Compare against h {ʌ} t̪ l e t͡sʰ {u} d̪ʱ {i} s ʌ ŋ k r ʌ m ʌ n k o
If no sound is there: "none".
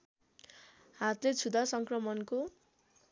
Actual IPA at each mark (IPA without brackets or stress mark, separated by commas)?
a, u, a